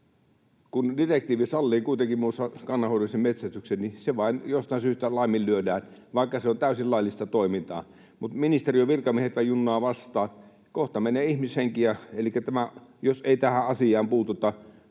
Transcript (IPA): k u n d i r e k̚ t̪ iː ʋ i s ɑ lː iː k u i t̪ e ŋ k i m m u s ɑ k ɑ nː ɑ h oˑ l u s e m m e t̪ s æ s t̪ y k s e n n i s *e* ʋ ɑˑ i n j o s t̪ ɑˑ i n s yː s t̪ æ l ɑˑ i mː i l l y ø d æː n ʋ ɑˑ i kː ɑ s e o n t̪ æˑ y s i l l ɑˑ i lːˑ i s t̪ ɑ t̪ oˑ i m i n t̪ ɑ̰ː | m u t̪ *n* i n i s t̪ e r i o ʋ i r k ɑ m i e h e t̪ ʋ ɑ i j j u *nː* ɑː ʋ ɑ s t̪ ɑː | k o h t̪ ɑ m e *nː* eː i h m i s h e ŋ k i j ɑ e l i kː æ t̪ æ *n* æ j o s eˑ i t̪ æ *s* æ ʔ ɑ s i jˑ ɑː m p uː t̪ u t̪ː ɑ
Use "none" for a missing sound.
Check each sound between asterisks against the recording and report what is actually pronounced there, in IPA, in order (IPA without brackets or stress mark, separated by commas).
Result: e, m, nː, n, m, h